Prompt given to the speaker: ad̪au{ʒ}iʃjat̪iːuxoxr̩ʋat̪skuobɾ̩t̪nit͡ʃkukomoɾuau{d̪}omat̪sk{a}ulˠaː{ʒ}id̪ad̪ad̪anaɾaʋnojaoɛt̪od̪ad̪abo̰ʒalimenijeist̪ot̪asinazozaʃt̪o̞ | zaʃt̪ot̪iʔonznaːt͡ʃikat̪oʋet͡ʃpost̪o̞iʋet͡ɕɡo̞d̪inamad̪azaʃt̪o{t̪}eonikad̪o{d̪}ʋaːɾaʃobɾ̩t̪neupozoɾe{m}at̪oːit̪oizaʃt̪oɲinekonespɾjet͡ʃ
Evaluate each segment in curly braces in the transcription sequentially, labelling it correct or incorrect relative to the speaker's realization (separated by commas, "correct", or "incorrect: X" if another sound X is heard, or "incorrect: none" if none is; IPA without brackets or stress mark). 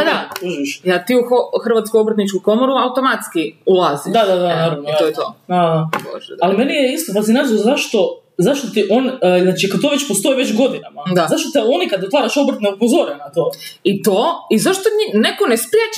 correct, incorrect: t̪, incorrect: i, incorrect: z, correct, incorrect: t̪, incorrect: n